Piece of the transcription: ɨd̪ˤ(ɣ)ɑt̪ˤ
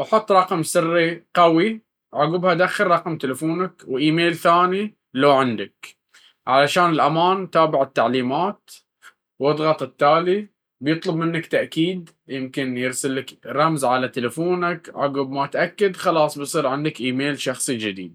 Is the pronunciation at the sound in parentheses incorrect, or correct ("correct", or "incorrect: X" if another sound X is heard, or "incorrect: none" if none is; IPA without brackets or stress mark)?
correct